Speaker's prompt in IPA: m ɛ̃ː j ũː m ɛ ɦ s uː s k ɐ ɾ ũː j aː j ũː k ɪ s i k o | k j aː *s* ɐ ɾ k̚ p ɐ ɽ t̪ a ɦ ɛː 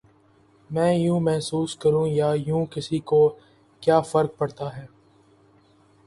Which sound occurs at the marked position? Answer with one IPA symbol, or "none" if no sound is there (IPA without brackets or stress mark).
f